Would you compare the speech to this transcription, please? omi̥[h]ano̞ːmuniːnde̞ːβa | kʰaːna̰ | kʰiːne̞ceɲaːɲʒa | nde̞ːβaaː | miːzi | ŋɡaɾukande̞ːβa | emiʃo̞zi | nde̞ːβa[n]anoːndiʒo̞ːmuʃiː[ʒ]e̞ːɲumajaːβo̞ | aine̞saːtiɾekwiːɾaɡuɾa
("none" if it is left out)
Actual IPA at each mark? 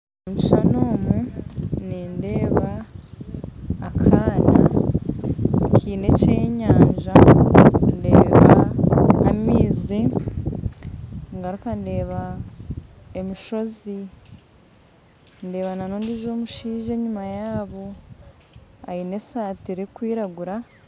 ʃ, n, ʒ

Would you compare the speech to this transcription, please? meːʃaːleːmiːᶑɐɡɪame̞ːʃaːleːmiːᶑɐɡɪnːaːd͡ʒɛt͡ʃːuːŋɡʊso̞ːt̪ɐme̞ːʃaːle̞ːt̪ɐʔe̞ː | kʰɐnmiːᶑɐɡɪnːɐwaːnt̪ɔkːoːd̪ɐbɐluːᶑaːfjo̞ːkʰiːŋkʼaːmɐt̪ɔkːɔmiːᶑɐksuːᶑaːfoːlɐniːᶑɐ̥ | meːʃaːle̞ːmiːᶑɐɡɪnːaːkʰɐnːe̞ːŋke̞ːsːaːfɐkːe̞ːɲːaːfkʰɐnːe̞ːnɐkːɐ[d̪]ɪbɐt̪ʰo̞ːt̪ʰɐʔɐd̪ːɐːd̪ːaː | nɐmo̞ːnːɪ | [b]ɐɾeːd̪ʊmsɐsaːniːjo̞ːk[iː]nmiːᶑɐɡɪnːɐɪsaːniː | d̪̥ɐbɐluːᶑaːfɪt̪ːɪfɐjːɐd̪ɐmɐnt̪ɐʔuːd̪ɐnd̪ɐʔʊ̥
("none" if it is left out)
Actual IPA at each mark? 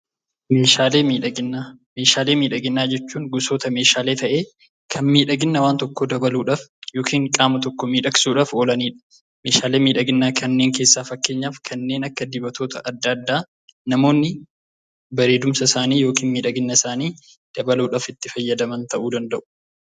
d̪, b, iː

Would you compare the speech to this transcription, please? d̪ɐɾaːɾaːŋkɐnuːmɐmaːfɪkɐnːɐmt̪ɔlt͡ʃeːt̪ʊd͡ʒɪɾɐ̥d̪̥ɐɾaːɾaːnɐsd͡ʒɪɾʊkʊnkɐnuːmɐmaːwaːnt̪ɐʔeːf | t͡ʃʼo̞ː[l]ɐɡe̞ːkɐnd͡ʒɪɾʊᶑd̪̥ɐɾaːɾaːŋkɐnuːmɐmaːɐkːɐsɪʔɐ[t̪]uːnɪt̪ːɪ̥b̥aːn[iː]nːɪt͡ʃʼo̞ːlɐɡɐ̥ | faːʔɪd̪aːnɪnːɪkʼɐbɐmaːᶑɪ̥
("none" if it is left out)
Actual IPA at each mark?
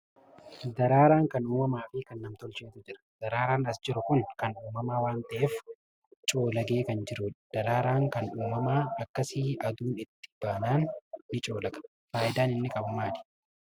l, d̪, aː

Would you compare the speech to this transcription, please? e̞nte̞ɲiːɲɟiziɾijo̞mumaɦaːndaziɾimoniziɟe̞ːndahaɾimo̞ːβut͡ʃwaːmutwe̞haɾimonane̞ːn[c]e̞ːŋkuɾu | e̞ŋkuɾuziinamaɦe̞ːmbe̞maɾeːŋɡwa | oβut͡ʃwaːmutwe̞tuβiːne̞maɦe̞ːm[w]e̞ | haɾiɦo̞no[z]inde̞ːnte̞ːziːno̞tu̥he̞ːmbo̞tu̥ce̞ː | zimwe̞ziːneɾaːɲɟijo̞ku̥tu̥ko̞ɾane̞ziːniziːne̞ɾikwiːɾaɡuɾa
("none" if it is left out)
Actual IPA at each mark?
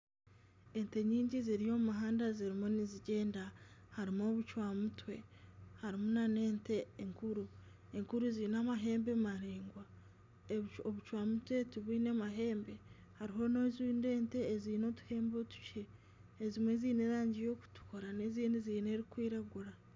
t, b, z

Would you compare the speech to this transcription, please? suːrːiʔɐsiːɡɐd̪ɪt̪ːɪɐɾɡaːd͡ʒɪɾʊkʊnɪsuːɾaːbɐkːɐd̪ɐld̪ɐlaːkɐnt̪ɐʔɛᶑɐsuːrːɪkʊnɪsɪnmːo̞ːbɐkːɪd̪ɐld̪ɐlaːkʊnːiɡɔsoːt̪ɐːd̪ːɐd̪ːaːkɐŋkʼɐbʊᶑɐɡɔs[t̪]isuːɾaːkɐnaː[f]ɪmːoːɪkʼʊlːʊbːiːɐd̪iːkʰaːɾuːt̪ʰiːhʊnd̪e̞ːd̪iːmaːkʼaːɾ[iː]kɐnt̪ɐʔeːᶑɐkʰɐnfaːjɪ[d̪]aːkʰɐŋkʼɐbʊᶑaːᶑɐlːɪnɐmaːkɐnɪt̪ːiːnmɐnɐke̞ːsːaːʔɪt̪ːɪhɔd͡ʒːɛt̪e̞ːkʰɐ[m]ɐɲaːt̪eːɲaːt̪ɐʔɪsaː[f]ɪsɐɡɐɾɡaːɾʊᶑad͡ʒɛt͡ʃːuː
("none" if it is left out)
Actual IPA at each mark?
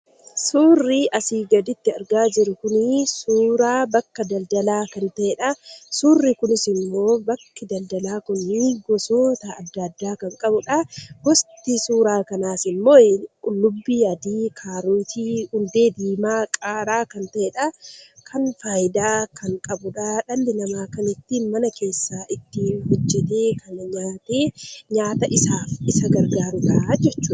t̪, s, aː, d̪, n, f

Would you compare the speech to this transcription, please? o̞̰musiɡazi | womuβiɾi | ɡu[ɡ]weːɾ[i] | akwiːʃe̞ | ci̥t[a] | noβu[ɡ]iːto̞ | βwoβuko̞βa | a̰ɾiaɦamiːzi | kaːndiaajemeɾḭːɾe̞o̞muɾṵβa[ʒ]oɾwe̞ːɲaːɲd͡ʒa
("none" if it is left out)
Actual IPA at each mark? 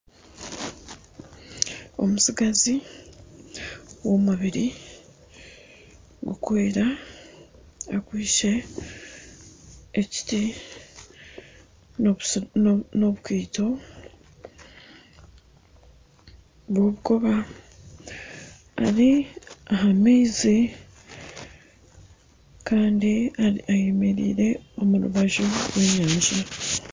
k, a, i, k, ʒ

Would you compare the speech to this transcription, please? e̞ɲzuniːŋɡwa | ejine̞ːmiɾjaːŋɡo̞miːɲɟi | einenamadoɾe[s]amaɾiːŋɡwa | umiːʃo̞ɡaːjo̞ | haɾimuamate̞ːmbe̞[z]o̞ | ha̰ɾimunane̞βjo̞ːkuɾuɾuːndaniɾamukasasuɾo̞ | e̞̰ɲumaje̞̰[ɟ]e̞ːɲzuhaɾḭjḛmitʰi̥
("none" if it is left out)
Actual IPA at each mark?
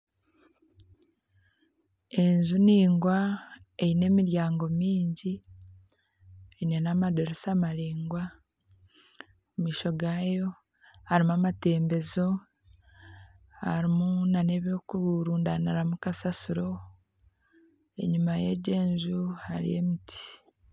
s, z, ɟ

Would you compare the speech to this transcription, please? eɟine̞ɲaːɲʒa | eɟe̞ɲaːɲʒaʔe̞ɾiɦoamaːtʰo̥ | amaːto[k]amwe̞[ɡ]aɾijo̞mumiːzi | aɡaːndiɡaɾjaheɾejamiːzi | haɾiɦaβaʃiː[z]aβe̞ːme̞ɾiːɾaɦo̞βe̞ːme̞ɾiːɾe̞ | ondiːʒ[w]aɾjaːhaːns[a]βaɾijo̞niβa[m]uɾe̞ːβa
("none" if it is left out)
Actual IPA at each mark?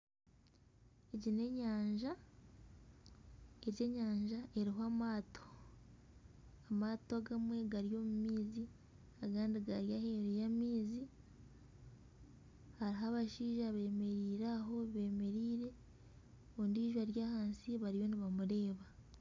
ɡ, ɡ, ʒ, w, i, m

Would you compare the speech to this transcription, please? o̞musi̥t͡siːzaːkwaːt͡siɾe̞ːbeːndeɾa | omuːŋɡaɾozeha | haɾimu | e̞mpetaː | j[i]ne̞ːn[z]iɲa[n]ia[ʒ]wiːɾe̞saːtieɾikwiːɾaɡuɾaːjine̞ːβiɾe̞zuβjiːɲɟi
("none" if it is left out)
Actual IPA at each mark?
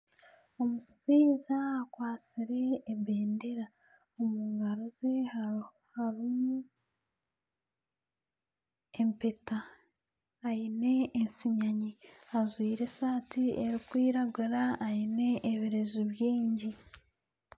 i, s, ɲ, z

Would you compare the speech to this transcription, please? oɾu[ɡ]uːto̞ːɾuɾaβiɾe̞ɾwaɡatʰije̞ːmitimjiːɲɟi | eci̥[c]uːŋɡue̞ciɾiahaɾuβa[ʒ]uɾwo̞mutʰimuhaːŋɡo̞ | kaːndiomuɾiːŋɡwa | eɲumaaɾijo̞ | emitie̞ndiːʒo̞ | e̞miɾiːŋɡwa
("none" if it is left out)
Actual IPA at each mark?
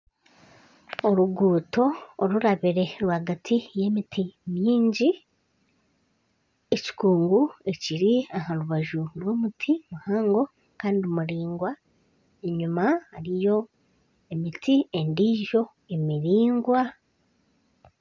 ɡ, k, ʒ

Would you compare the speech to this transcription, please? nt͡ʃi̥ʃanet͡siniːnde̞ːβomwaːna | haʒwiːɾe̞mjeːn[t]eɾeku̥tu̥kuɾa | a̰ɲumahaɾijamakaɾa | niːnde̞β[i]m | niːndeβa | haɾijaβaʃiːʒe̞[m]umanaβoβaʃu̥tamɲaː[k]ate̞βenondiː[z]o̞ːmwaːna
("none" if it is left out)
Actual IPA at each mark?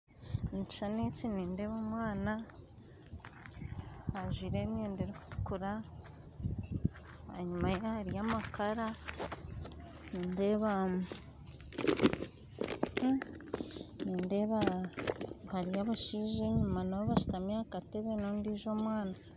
d, a, ɲ, k, ʒ

